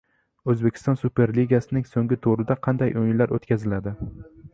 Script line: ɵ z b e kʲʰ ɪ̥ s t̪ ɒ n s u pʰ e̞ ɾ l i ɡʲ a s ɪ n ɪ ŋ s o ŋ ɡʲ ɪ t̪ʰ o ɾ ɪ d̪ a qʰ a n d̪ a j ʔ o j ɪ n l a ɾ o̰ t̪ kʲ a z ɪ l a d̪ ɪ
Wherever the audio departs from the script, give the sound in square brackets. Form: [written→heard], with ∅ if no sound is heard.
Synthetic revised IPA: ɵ z b e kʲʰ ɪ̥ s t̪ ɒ n s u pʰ e̞ ɾ l i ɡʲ a s ɪ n ɪ ŋ s o ŋ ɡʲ ɪ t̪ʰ o ɾ ɪ d̪ a qʰ [a→ɑ] n d̪ a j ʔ o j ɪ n l a ɾ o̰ t̪ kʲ a z ɪ l a d̪ ɪ